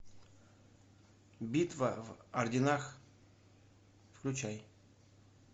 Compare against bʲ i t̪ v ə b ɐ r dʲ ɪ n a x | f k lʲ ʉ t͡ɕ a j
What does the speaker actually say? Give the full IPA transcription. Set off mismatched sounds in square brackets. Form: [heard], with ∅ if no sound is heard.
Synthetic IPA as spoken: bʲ i t̪ v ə [v] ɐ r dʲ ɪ n a x | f k lʲ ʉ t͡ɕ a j